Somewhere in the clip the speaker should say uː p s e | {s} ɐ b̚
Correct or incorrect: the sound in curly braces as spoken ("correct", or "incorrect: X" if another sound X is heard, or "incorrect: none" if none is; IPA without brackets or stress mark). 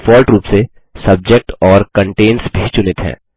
correct